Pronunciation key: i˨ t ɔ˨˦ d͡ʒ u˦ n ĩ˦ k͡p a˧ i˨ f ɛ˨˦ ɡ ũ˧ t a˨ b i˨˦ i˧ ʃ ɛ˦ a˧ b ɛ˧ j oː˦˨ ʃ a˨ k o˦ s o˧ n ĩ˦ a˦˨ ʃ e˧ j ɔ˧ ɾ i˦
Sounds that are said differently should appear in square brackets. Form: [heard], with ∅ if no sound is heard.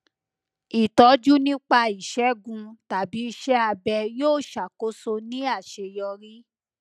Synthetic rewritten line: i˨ t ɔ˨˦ d͡ʒ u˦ n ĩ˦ k͡p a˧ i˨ [ʃ] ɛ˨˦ ɡ ũ˧ t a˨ b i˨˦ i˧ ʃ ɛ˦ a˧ b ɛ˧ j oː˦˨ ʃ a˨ k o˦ s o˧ n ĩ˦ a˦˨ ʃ e˧ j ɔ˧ ɾ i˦